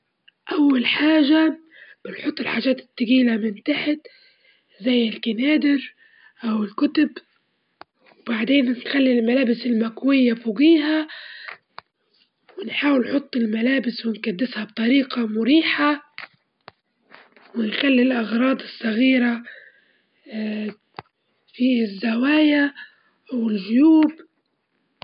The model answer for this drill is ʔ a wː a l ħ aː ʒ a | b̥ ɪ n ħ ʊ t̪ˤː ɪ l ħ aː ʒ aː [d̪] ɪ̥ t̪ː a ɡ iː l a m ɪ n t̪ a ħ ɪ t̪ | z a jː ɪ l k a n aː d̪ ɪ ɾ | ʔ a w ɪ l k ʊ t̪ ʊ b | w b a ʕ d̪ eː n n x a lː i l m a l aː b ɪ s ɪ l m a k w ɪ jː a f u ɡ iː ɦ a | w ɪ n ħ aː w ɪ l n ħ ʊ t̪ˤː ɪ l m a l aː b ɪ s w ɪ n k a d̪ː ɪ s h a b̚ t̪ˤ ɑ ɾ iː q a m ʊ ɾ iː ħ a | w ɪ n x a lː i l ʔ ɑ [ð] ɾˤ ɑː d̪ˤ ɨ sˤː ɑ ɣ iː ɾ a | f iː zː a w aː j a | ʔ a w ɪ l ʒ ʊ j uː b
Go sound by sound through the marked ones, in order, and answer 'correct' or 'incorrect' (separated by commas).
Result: incorrect, incorrect